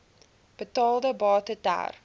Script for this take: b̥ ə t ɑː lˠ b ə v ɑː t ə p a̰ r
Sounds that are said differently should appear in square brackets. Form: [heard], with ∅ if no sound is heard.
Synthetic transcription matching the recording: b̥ ə t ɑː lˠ [d] ə [b] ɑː t ə [t] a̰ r